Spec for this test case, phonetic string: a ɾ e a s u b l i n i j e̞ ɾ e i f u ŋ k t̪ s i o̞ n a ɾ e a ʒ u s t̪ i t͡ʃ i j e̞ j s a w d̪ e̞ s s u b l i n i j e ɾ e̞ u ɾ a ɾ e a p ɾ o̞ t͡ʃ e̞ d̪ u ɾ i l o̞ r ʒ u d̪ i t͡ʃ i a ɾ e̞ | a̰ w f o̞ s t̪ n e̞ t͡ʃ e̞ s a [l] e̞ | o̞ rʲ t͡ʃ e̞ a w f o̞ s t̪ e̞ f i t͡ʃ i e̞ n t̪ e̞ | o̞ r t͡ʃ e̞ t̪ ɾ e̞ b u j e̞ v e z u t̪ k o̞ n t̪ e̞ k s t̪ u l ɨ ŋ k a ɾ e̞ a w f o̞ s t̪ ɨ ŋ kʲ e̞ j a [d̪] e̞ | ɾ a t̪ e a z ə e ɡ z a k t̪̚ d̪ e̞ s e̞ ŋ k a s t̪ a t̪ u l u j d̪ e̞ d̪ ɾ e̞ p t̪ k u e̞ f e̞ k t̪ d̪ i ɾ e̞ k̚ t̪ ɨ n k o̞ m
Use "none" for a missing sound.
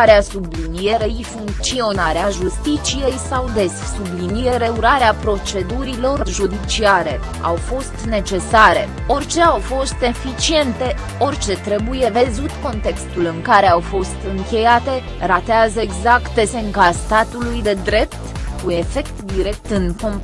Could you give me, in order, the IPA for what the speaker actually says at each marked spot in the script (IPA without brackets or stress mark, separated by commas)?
ɾ, t̪